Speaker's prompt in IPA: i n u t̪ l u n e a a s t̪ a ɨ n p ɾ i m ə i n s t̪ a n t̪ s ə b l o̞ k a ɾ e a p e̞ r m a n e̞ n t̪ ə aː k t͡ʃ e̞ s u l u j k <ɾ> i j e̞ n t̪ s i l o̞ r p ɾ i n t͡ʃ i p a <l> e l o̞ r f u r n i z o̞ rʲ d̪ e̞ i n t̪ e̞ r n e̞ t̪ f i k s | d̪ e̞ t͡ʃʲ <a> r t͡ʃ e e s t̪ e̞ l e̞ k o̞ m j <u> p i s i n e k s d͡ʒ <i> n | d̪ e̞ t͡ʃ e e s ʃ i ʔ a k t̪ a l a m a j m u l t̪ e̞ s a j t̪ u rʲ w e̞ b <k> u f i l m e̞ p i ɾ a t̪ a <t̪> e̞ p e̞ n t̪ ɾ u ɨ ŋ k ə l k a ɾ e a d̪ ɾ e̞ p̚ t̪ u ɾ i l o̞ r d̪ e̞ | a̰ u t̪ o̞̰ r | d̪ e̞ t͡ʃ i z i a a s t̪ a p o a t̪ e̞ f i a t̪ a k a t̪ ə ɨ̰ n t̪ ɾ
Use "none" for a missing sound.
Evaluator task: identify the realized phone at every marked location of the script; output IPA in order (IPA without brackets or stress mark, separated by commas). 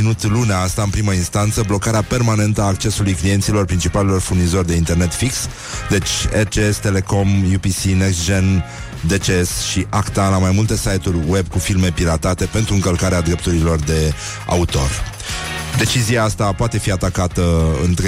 l, l, e, u, e, k, t̪